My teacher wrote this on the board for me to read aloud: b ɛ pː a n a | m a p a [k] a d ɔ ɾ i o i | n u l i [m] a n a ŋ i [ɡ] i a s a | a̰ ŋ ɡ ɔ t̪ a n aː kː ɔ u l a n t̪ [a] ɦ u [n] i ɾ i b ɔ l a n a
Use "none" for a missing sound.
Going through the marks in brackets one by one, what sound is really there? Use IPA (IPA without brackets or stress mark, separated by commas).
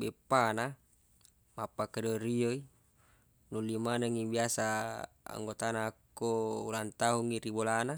k, m, b, a, ŋ